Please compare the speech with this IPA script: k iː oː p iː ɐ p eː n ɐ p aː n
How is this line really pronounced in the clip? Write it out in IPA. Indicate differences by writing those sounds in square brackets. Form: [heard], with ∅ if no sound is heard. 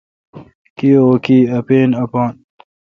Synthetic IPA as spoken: k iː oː [k] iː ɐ p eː n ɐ p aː n